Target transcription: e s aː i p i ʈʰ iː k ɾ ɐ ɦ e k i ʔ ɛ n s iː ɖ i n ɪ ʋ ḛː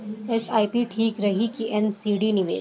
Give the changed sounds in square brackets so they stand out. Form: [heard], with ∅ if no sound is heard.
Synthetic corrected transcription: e s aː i p i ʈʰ iː k ɾ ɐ ɦ [i] k i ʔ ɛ n s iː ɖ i n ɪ ʋ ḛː